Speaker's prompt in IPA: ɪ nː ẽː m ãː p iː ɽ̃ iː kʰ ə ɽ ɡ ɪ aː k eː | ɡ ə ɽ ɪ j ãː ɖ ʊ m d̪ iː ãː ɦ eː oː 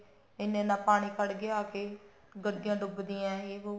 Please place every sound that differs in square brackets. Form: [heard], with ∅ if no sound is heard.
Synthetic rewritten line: ɪ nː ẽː [n] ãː p [aː] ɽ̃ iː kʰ ə ɽ ɡ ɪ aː k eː | ɡ ə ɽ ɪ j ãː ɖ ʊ [b] d̪ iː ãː ɦ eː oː